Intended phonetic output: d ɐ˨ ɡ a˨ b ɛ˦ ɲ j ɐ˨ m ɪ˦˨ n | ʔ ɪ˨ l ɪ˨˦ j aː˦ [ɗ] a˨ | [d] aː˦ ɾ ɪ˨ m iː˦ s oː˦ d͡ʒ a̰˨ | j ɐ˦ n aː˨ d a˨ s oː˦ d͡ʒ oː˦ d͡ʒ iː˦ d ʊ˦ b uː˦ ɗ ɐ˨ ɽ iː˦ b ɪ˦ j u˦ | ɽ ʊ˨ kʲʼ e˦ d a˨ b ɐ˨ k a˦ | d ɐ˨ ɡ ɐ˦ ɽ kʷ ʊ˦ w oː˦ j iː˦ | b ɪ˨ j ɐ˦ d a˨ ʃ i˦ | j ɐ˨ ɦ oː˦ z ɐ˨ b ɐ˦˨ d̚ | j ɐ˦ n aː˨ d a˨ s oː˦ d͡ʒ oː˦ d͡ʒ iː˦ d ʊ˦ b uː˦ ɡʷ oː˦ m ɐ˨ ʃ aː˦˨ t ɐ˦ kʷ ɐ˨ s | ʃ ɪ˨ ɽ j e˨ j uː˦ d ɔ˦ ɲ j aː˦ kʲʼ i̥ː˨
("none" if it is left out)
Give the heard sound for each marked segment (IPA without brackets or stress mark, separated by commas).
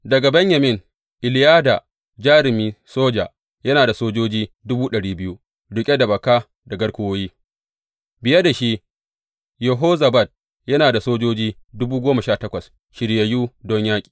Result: d, d͡ʒ